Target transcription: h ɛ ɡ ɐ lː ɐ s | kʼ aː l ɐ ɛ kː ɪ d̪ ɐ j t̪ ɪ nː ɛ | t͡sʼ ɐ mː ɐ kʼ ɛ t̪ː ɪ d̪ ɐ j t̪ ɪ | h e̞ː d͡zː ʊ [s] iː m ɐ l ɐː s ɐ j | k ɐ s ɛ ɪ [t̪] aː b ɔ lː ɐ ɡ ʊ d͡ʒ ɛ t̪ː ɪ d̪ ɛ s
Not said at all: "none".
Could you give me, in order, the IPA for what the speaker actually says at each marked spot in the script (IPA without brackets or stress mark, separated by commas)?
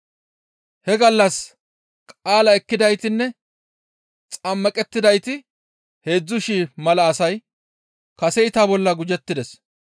ʃ, t̪